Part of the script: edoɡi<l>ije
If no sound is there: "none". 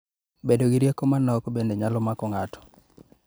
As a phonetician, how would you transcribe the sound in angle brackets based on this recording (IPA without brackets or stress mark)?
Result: ɾ